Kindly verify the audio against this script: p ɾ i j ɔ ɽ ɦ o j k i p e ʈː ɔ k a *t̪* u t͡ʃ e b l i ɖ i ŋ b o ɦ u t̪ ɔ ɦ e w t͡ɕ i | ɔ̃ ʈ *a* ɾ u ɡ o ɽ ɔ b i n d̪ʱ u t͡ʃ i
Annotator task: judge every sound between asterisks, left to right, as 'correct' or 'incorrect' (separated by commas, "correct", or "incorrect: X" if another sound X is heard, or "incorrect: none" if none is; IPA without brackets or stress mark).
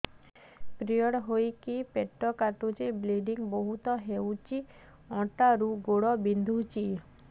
correct, correct